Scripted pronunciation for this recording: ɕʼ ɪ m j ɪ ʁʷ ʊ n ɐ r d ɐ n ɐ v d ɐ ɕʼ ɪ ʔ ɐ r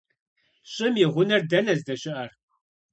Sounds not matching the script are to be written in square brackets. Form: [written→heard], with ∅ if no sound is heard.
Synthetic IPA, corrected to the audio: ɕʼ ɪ m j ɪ ʁʷ ʊ n ɐ r d ɐ n ɐ [v→z] d ɐ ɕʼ ɪ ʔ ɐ r